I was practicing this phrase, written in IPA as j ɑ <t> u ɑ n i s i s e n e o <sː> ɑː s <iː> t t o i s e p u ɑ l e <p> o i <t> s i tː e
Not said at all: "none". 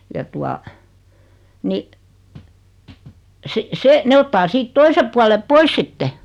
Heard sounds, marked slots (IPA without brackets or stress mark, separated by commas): t, tː, iː, p, s